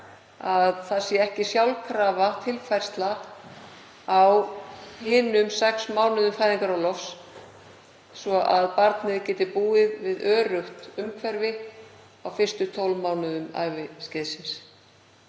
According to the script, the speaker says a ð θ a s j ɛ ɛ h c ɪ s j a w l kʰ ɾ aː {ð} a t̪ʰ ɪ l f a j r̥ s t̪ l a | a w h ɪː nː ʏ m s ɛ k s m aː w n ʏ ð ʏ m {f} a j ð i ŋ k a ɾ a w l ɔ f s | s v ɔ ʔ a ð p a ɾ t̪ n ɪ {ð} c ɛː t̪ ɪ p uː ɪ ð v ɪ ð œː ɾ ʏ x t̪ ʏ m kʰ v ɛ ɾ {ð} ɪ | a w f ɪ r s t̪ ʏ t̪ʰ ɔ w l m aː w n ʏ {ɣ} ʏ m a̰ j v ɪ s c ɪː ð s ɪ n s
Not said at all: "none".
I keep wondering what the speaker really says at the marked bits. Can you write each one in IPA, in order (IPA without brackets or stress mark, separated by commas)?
v, f, ð, v, ð